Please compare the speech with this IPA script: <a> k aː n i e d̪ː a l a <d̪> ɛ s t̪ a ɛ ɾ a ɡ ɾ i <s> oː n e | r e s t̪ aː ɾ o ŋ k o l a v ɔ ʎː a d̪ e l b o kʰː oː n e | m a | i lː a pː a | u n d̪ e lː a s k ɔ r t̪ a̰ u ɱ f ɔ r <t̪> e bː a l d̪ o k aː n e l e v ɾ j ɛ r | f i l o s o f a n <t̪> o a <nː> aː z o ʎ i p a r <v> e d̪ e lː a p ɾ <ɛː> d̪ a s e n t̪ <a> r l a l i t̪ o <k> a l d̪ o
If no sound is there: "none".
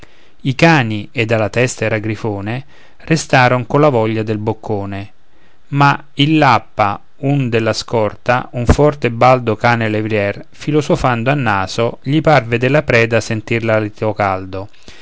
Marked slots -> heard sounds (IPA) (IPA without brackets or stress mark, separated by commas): i, t̪, f, t̪, d̪, nː, v, ɛː, i, k